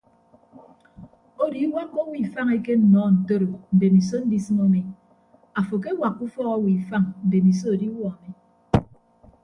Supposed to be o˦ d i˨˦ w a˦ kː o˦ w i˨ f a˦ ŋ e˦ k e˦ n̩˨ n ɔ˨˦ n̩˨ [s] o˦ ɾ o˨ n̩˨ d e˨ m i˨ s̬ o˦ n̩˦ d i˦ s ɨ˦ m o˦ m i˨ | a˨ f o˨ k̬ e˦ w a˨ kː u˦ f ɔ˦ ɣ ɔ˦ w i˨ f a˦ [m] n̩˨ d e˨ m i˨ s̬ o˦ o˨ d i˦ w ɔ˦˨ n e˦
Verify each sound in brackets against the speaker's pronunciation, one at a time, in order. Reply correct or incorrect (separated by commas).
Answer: incorrect, incorrect